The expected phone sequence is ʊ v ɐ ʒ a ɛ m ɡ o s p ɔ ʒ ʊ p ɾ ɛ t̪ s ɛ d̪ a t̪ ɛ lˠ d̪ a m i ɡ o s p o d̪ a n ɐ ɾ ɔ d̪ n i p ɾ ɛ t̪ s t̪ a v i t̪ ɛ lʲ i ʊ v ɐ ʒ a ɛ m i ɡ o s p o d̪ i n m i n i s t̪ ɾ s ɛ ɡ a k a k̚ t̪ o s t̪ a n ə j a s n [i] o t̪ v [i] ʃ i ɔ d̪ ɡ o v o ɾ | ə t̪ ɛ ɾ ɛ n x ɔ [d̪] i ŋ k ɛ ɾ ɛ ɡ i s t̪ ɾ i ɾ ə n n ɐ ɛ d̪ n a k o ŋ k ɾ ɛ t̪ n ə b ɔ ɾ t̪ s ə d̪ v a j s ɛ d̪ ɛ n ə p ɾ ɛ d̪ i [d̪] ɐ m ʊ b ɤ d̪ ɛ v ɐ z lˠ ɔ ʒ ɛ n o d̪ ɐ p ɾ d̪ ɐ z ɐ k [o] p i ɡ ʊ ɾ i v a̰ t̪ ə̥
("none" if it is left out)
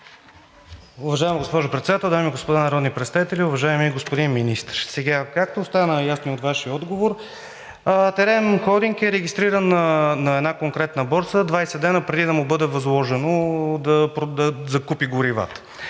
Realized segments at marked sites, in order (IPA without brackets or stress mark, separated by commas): i, a, d̪, d̪, u